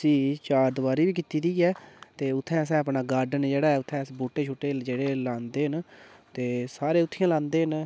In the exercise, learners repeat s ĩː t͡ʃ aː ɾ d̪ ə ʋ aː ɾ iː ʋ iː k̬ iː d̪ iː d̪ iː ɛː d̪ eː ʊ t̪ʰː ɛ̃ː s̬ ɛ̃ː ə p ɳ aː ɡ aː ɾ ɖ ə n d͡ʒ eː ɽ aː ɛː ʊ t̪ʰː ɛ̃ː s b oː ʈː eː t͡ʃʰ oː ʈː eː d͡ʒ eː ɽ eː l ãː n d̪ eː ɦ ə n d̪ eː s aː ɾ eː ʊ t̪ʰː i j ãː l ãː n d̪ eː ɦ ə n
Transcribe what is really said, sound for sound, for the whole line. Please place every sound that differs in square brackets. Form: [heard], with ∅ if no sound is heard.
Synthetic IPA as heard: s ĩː t͡ʃ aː ɾ d̪ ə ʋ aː ɾ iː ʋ iː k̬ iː [t̪] iː d̪ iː ɛː [t̪] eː ʊ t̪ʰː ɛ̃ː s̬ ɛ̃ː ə p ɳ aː ɡ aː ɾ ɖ ə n d͡ʒ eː ɽ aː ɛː ʊ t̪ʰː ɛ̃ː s b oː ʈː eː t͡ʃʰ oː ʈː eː d͡ʒ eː ɽ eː l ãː n d̪ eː ɦ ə n [t̪] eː s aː ɾ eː ʊ t̪ʰː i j ãː l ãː n d̪ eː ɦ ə n